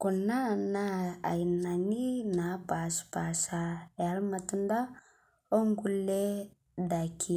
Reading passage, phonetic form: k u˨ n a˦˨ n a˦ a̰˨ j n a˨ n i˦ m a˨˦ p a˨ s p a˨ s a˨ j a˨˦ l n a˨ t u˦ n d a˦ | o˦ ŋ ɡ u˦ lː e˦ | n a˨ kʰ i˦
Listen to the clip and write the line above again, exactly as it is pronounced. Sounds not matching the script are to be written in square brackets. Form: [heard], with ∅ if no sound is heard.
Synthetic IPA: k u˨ n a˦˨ n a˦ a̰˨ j n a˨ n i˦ [n] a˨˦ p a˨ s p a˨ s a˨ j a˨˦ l [m] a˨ t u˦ n d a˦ | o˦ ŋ ɡ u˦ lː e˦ | [d] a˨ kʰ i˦